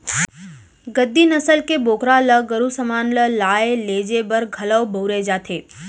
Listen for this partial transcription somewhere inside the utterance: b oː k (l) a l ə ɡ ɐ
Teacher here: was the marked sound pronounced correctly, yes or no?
no